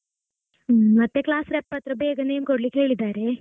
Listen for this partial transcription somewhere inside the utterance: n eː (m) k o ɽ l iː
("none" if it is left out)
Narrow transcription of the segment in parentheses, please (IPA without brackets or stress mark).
m